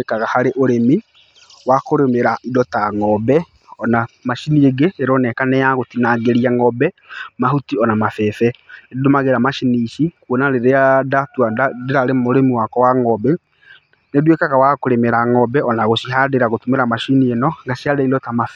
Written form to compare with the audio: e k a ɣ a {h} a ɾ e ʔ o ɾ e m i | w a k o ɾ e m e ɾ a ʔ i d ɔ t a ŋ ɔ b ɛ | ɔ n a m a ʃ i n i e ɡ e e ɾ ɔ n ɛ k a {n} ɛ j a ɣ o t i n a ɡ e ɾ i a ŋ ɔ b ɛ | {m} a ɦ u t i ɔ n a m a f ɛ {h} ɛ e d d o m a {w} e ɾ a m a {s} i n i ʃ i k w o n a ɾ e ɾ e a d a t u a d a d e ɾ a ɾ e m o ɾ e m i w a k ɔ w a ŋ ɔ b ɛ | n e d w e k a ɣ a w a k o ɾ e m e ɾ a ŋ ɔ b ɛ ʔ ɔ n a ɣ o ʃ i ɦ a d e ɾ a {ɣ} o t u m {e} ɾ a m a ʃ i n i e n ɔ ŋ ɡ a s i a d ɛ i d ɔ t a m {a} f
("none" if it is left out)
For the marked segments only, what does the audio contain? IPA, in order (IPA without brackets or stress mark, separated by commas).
h, n, m, f, ɣ, ʃ, ɣ, e, a